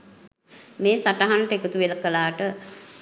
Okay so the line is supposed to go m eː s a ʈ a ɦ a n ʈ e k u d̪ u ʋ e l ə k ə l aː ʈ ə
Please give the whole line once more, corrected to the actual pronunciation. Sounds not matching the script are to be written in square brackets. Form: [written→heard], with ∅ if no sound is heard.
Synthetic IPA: m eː s a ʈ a ɦ a n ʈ e k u [d̪→t̪] u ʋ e l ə k ə l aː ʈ ə